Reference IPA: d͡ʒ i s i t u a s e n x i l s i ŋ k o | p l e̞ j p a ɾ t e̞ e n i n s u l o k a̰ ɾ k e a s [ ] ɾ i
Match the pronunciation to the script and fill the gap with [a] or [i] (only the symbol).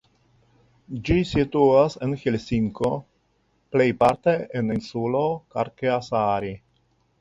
a